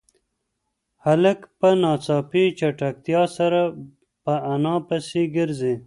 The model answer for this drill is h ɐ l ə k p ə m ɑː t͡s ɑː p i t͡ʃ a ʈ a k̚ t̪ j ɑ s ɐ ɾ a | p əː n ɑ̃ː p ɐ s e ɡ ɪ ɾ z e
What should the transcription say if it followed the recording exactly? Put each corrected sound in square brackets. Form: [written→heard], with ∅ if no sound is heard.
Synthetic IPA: h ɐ l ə k p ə [m→n] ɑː t͡s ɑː p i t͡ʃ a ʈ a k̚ t̪ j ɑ s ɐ ɾ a | p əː n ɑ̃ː p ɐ s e ɡ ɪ ɾ z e

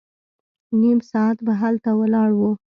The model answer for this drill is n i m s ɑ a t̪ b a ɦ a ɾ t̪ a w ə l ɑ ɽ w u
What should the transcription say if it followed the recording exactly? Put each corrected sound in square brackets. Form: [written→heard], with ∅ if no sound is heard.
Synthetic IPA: n i m s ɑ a t̪ b a ɦ a [ɾ→l] t̪ a w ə l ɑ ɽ w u

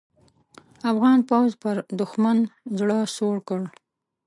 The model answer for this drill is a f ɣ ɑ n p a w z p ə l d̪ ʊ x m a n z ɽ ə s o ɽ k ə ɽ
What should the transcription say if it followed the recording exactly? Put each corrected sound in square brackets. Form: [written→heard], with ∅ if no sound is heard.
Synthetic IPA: a f ɣ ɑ n p a w z p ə [l→ɾ] d̪ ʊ x m a n z ɽ ə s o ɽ k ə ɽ

